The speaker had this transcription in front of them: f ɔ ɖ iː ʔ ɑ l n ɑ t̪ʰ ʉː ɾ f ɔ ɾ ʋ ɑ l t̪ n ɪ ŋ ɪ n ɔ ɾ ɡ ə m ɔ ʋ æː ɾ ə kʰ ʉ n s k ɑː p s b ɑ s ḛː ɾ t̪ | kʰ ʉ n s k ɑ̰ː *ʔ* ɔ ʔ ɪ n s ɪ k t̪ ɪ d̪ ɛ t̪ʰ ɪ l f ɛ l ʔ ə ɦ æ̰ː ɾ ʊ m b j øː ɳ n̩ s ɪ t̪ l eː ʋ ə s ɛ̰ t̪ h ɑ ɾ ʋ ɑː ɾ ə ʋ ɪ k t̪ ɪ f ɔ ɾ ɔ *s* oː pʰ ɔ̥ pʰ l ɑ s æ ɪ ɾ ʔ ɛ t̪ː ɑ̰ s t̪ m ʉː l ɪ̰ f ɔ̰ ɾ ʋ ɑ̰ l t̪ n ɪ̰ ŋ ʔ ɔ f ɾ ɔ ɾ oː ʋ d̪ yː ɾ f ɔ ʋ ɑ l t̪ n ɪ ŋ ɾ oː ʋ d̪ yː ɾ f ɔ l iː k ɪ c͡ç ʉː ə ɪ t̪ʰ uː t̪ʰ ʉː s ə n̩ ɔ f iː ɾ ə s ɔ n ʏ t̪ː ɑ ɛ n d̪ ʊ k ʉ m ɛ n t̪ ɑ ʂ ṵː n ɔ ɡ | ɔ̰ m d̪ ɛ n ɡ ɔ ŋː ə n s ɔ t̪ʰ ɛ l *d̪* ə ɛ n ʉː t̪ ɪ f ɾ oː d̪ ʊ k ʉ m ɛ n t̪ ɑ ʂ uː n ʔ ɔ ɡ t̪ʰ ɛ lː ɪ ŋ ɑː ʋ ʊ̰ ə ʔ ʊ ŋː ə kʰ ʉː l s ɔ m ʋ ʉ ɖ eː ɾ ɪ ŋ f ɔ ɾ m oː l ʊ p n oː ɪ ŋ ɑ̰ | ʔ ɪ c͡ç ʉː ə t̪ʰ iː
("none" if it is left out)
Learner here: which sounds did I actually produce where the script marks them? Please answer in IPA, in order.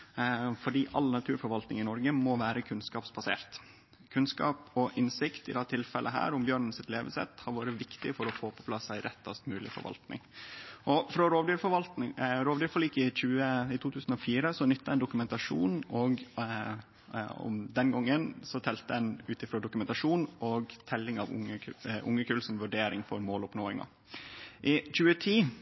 p, f, t̪

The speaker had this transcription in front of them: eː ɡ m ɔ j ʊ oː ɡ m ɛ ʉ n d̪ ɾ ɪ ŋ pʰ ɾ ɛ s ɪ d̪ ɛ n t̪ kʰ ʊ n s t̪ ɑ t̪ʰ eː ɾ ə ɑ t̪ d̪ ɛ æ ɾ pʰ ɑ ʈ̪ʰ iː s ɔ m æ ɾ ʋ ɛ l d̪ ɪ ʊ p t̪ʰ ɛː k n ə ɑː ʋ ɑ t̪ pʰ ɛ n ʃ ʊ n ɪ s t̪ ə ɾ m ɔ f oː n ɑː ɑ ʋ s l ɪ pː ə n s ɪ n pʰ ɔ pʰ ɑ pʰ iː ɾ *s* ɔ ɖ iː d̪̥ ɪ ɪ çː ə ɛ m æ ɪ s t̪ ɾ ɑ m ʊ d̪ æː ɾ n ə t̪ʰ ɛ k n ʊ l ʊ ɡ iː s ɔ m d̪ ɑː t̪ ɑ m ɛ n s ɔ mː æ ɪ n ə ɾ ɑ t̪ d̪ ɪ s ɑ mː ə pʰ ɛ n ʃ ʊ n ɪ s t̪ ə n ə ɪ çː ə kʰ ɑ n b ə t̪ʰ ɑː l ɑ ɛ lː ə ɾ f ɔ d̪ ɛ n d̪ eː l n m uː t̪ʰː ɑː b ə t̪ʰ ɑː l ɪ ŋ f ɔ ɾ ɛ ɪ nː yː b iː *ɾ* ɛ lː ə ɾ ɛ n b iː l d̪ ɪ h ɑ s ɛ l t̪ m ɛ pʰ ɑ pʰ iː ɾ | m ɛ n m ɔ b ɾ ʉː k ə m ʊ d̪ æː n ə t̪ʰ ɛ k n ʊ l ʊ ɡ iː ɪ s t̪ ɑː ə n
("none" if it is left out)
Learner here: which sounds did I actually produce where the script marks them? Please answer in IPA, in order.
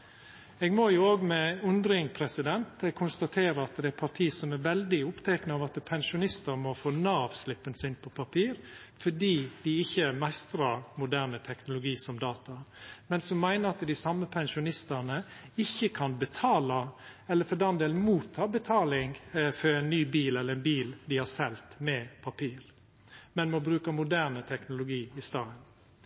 f, l

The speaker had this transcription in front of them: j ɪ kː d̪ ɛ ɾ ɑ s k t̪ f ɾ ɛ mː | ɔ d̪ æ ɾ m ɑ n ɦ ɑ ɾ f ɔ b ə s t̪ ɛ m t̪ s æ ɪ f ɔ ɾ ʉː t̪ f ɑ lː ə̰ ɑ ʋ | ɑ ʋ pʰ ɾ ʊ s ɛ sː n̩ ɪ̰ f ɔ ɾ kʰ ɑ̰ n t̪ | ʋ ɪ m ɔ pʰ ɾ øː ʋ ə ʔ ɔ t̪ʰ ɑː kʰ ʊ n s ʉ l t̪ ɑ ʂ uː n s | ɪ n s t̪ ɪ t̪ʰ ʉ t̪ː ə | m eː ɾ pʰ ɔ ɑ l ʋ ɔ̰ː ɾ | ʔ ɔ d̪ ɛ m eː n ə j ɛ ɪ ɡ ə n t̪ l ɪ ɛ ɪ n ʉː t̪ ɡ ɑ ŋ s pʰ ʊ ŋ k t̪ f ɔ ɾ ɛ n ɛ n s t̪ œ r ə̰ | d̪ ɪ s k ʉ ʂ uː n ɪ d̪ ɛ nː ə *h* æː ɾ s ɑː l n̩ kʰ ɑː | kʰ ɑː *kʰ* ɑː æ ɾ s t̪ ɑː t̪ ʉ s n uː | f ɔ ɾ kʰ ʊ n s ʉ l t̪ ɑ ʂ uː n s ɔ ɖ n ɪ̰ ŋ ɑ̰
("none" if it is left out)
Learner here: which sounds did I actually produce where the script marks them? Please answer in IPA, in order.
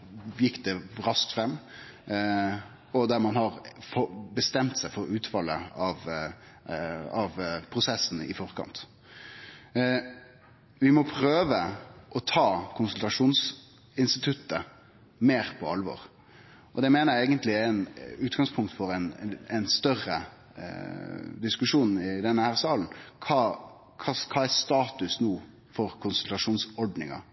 h, kʰ

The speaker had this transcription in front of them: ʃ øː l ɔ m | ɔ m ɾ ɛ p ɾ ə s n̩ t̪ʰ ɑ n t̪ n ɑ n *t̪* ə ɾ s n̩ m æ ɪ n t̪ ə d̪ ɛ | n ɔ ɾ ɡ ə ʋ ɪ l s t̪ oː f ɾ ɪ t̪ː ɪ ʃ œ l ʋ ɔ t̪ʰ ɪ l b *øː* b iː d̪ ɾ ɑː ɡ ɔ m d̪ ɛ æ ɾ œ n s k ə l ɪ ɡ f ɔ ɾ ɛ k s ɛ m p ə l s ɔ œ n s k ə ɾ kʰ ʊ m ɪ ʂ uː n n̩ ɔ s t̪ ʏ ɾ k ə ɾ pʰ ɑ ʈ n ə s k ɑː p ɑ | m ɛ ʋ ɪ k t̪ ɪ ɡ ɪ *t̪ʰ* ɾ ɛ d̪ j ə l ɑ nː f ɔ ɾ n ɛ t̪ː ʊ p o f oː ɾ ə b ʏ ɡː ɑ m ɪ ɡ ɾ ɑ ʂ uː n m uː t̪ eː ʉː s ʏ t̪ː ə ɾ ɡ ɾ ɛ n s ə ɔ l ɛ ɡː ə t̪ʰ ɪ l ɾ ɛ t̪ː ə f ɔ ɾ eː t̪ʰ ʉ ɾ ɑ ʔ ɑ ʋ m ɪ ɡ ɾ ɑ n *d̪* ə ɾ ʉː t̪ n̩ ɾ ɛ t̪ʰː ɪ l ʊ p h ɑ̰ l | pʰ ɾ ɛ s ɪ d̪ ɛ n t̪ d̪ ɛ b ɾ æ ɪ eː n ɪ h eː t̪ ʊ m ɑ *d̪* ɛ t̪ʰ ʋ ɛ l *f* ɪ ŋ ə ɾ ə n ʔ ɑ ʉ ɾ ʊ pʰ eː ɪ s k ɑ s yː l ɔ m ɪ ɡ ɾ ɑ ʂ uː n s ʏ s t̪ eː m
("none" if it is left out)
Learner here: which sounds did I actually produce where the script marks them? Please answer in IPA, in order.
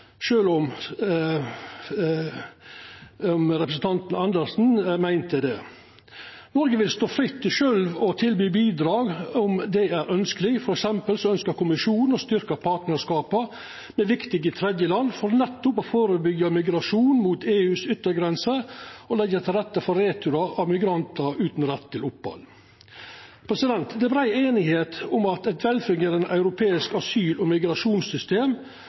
d̪, yː, t̪ʰ, t̪, t̪, f

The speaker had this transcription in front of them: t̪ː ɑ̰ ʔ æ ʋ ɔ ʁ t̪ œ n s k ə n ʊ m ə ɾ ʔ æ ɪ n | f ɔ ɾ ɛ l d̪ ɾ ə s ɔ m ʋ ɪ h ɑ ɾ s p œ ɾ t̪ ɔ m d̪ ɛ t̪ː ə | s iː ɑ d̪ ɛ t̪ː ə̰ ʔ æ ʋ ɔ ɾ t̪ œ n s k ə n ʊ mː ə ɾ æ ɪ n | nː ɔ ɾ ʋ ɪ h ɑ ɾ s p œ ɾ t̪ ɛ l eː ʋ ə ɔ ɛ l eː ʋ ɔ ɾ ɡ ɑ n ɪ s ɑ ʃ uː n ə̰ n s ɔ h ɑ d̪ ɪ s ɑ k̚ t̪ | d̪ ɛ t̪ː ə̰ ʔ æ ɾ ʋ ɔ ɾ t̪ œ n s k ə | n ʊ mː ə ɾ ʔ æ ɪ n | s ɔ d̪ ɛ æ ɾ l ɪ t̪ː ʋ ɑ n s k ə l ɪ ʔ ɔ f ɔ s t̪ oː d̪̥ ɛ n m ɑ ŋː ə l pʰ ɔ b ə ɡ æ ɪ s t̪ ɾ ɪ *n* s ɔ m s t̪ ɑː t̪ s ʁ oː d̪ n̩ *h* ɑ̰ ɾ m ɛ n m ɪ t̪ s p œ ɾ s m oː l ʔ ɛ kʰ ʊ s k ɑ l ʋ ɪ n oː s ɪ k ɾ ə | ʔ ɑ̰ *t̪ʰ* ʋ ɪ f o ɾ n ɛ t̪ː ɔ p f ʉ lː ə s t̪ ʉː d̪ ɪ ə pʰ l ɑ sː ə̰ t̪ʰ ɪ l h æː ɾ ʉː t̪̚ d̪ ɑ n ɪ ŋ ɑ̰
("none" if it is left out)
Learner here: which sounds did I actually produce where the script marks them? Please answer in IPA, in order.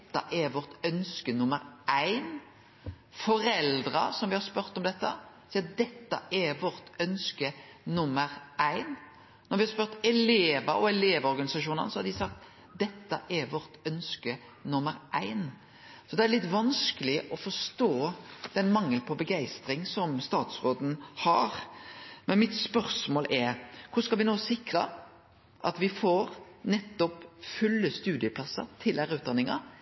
ŋ, h, t̪

